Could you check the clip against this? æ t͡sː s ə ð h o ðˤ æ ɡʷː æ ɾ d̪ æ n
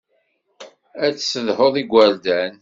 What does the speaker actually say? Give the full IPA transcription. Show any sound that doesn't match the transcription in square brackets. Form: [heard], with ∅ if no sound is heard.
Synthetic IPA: æ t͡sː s ə ð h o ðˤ [i] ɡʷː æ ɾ d̪ æ n